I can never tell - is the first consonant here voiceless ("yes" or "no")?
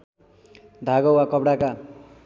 no